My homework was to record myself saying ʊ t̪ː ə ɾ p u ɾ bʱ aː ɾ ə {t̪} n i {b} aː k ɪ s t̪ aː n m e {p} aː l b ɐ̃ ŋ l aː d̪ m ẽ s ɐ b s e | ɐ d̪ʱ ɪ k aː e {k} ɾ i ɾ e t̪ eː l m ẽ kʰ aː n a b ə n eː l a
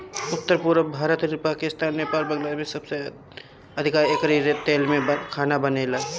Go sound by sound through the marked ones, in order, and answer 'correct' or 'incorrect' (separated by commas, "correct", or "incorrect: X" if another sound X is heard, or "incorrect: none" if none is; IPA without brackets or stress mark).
correct, incorrect: p, correct, correct